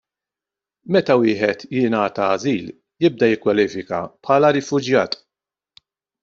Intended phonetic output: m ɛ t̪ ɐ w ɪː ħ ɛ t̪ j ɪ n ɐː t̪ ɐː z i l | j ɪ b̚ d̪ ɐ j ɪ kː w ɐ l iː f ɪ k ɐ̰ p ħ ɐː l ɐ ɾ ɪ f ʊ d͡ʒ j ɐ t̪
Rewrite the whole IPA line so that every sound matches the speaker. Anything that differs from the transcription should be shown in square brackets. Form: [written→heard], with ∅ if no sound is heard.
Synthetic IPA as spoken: m ɛ t̪ ɐ w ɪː ħ ɛ t̪ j ɪ n ɐː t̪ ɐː z [i→iː] l | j ɪ b̚ d̪ ɐ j ɪ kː w ɐ l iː f ɪ k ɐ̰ p ħ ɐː l ɐ ɾ ɪ f ʊ d͡ʒ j [ɐ→ɐː] t̪

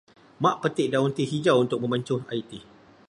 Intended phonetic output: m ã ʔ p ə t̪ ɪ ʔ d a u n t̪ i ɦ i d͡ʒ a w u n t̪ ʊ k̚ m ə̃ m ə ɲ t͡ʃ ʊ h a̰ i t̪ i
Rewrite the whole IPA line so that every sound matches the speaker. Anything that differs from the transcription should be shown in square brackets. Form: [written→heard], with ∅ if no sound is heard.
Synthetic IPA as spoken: m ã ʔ p ə t̪ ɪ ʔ d a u n t̪ i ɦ i d͡ʒ a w u n t̪ ʊ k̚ m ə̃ m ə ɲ t͡ʃ ʊ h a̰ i t̪ i

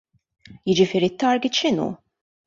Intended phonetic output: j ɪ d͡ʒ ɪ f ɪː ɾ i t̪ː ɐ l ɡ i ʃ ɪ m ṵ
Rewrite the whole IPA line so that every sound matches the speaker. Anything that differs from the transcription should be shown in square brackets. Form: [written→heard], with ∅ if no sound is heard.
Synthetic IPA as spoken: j ɪ d͡ʒ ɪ f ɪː ɾ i t̪ː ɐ [l→ɾ] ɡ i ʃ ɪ [m→n] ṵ

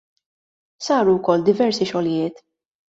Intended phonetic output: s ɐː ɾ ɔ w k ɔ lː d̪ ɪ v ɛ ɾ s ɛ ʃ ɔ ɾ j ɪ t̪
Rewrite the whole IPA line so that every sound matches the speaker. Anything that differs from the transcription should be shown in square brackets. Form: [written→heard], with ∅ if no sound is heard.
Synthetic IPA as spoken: s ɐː ɾ [ɔ→u] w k ɔ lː d̪ ɪ v ɛ ɾ s [ɛ→i] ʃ ɔ [ɾ→l] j [ɪ→ɪː] t̪

